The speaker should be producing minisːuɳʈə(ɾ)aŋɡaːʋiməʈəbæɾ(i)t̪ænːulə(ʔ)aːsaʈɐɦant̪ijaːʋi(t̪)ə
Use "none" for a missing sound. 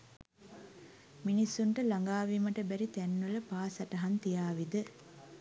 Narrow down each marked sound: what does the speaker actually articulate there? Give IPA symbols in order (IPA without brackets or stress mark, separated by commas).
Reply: l, i, p, d̪